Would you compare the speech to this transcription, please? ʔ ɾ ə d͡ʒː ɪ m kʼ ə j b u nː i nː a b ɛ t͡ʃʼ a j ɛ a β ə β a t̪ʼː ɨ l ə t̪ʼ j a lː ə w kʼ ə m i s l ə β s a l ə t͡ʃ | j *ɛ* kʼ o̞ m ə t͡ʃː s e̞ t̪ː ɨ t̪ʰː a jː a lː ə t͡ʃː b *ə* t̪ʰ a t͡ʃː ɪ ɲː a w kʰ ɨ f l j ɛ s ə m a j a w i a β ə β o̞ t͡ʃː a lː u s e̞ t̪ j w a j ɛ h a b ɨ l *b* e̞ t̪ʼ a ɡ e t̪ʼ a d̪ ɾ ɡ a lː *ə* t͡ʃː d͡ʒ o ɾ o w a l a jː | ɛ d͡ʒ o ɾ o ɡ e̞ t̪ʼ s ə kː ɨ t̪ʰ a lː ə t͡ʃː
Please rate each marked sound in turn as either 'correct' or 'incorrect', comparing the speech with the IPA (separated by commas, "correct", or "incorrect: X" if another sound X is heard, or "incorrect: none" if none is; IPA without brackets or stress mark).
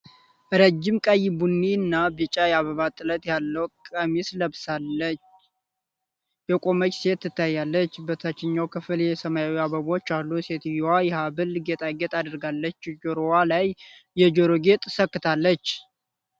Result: correct, correct, incorrect: ɡ, correct